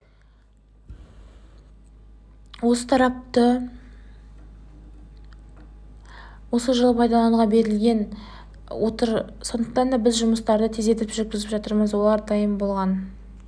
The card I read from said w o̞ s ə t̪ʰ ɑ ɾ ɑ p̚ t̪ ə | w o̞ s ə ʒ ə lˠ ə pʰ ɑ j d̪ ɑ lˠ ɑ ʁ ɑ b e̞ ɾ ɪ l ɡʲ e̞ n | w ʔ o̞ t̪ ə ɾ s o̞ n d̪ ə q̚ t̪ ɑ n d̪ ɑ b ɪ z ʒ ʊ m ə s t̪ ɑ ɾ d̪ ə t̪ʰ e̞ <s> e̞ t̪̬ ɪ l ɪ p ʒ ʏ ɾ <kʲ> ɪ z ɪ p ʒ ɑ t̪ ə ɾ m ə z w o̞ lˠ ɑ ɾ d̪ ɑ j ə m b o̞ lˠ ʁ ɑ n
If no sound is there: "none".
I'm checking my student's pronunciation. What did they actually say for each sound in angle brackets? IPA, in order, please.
z, kʲ

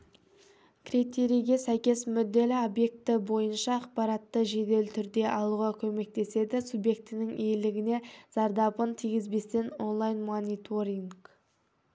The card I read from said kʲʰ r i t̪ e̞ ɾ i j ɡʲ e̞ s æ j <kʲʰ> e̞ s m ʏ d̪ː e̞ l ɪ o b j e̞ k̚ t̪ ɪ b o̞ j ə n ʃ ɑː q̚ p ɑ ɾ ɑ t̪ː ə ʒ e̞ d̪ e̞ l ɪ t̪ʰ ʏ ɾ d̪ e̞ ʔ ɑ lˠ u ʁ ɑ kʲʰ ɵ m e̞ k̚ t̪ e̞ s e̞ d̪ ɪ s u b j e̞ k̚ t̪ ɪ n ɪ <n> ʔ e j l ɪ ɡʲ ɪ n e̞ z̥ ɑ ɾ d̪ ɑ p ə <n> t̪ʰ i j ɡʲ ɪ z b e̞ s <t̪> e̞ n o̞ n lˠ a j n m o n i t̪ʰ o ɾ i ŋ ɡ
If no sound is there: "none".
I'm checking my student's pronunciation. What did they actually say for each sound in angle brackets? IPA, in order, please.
kʲ, ŋ, n, t̪

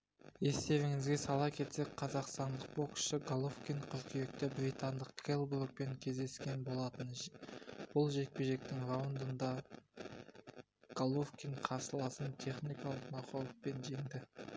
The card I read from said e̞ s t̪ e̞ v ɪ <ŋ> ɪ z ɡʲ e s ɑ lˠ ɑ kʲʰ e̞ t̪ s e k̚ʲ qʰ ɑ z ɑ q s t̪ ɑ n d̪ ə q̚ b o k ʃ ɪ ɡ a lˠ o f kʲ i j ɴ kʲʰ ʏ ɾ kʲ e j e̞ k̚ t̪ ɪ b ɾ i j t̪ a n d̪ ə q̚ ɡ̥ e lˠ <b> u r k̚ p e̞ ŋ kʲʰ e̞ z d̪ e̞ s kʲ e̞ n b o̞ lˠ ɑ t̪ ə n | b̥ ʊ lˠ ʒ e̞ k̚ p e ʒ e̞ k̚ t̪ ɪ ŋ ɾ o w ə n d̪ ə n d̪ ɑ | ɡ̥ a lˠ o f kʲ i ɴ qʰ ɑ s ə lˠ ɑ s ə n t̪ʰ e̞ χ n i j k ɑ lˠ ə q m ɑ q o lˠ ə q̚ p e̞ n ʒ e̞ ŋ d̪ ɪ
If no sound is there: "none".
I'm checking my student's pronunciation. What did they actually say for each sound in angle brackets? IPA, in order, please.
ŋ, b

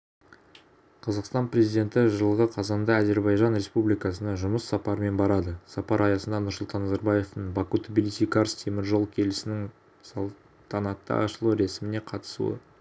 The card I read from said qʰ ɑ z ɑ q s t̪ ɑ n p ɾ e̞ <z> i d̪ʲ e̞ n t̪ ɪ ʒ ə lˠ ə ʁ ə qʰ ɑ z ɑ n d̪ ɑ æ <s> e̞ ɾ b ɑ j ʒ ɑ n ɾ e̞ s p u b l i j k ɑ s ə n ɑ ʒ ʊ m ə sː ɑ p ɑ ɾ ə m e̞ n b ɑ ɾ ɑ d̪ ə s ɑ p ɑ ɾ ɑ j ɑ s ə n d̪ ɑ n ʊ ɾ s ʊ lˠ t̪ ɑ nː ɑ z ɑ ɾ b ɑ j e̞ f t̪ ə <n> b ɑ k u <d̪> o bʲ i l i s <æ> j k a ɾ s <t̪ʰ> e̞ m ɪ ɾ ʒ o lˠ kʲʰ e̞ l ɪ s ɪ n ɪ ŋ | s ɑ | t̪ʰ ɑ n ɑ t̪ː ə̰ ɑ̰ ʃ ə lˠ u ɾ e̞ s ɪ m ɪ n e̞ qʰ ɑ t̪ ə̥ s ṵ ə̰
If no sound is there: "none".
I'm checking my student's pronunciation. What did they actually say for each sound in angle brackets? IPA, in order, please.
z, z, ɴ, t̪, i, t̪ʰ

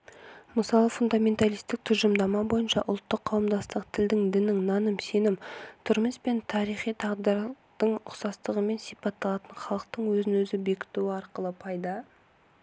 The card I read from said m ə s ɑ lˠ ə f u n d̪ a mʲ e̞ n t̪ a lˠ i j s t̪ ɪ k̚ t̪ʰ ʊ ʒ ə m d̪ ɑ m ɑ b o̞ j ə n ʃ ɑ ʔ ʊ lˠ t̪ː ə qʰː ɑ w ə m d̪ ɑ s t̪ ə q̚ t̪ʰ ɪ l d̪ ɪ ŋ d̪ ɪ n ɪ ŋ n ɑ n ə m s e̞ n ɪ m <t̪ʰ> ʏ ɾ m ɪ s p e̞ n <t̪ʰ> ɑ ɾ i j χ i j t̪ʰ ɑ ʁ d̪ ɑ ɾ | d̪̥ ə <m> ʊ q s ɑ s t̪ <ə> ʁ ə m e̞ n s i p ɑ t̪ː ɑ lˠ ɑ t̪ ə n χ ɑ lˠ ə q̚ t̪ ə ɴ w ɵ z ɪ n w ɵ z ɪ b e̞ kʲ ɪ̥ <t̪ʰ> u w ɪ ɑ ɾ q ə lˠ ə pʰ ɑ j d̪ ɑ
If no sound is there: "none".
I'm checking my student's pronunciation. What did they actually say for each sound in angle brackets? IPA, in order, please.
t̪ʰ, t̪ʰ, ɴ, ə, t̪

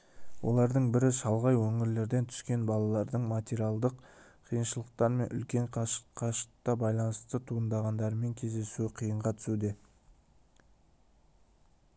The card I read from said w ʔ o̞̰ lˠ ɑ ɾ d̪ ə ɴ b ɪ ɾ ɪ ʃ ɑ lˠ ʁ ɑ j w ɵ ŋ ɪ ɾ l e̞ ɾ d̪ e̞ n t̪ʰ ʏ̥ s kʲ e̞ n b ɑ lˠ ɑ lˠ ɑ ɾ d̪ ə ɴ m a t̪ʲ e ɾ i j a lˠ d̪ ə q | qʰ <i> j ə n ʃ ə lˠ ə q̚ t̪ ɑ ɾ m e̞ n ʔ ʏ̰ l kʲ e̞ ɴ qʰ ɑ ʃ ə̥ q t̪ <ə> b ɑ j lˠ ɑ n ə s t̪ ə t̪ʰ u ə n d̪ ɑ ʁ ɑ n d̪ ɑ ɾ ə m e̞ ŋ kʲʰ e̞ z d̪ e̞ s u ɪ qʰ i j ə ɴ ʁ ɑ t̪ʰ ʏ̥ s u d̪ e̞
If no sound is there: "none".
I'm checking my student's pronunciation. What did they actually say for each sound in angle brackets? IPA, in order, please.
i, ɑ

